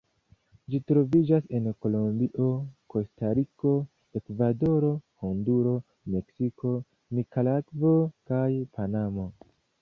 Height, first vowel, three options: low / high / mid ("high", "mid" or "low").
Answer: high